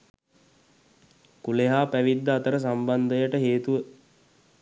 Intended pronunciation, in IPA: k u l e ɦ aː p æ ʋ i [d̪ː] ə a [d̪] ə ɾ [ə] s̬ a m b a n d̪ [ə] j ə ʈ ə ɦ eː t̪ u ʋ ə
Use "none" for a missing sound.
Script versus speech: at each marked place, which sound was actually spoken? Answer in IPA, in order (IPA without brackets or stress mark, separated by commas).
d̪ː, t̪, ə, ə